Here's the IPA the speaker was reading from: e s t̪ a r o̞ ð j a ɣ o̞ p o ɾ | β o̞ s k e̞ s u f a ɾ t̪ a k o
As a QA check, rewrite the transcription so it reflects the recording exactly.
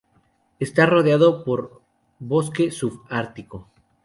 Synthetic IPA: e s t̪ a r o̞ ð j a ð o̞ p o ɾ | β o̞ s k e̞ s u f a ɾ t̪ i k o